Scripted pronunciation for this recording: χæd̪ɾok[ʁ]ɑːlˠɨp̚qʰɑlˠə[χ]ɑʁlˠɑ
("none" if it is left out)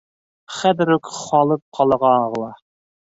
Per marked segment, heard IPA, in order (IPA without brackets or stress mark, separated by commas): χ, ʁ